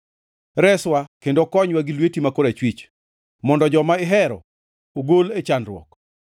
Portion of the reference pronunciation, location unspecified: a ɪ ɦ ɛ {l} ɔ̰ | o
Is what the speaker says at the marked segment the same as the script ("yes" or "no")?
no